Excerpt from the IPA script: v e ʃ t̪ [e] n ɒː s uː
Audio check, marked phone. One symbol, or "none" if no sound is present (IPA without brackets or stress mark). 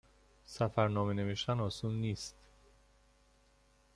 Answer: æ